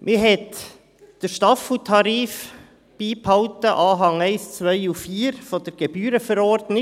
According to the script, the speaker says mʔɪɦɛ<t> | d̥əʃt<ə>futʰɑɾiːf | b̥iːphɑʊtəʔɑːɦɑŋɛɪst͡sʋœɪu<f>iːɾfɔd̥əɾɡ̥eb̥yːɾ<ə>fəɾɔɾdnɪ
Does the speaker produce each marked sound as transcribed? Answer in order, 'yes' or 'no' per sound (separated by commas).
yes, no, yes, yes